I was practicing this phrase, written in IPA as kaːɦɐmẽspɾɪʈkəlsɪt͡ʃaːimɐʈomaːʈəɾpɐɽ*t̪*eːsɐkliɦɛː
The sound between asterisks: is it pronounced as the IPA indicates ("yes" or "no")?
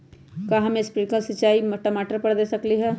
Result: no